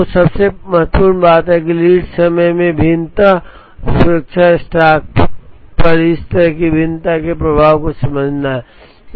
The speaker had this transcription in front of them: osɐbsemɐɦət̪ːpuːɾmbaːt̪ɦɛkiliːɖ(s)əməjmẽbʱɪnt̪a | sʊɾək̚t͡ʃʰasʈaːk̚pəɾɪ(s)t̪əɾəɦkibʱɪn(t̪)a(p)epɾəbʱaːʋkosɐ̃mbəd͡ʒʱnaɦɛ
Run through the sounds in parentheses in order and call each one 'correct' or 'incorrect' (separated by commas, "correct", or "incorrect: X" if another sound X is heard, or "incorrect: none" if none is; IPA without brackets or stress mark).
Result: correct, correct, correct, incorrect: k